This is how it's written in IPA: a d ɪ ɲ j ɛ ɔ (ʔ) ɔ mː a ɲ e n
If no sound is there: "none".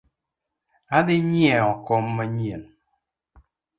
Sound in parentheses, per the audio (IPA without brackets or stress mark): k